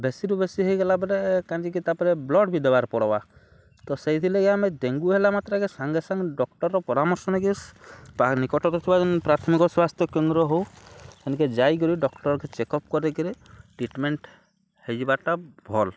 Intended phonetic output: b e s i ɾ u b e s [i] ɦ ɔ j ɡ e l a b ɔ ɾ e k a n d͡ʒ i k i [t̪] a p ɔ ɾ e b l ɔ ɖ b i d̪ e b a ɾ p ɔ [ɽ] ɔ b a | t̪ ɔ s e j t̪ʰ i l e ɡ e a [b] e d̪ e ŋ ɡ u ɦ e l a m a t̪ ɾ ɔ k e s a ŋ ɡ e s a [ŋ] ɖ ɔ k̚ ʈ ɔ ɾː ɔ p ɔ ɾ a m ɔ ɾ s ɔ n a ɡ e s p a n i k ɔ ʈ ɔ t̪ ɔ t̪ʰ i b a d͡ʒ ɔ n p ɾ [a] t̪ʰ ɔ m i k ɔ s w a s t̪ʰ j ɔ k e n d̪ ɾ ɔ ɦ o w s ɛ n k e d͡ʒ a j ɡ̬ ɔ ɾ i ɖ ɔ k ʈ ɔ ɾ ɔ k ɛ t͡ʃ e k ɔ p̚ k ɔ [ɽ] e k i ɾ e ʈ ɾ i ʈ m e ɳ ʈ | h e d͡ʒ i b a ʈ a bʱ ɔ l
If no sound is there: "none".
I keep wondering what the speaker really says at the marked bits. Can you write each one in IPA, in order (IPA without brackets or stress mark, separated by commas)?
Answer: i, t̪, ɽ, m, ŋ, a, ɾ